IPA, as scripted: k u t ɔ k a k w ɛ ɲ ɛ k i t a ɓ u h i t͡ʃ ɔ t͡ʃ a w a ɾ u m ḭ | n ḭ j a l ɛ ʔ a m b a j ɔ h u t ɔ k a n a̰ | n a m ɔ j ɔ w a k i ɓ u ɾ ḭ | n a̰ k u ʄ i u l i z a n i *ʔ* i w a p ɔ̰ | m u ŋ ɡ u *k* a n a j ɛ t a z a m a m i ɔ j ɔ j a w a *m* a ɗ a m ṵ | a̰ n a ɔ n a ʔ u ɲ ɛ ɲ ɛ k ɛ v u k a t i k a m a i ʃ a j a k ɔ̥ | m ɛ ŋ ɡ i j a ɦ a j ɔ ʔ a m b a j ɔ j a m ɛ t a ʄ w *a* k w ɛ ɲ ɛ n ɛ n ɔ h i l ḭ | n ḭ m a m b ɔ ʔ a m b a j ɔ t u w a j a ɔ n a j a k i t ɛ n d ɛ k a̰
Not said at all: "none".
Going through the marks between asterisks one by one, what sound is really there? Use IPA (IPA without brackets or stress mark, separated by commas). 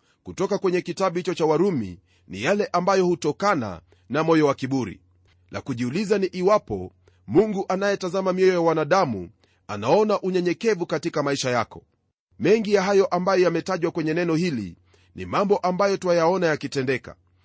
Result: ʔ, ʔ, n, a